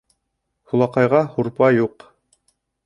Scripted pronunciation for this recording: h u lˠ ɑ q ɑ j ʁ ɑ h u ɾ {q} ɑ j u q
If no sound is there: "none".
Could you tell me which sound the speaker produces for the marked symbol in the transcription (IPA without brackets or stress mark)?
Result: p